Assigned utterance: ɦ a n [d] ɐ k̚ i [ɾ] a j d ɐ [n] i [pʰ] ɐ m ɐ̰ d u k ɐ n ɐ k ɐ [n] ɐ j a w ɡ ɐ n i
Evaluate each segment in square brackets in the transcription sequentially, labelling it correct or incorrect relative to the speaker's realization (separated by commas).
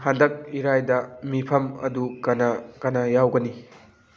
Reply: correct, correct, incorrect, correct, correct